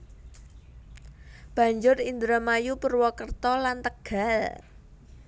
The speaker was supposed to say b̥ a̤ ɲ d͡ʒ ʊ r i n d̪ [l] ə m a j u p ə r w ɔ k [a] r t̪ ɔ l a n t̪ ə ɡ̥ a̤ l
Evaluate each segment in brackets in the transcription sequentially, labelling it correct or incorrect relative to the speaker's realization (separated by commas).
incorrect, incorrect